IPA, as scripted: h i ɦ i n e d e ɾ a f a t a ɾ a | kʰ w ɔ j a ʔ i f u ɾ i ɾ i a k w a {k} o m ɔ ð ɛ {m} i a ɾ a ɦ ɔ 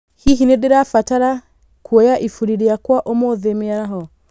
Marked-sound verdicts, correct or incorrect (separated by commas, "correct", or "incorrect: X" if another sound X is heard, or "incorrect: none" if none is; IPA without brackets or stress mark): incorrect: ʔ, correct